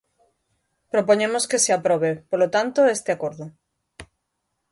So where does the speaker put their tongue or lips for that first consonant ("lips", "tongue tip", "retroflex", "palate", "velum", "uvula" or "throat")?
lips